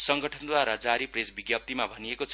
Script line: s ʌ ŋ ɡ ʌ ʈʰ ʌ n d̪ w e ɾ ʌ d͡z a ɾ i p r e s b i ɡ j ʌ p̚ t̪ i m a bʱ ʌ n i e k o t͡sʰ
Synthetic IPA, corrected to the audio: s ʌ ŋ ɡ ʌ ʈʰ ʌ n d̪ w a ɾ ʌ d͡z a ɾ i p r e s b i ɡ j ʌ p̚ t̪ i m a bʱ ʌ n i e k o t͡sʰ